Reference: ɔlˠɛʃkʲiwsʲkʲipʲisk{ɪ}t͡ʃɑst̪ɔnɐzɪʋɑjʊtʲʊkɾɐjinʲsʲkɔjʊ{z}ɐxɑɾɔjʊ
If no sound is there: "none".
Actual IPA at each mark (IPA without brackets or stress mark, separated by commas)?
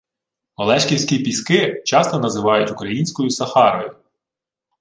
ɪ, s